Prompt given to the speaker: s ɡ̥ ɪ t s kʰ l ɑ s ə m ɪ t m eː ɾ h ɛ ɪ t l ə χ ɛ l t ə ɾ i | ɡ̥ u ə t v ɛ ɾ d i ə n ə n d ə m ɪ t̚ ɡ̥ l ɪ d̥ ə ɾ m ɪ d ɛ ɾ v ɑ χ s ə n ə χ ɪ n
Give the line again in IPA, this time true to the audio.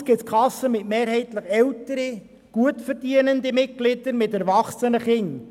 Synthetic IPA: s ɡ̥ ɪ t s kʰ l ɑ s ə m ɪ t m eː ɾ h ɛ ɪ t l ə χ ɛ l t ə ɾ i | ɡ̥ u ə t f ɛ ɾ d i ə n ə n d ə m ɪ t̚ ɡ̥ l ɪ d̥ ə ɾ m ɪ t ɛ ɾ v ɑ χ s ə n ə χ ɪ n